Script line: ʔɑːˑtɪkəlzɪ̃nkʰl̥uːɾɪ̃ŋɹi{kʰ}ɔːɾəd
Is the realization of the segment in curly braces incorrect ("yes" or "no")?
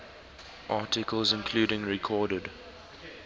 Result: no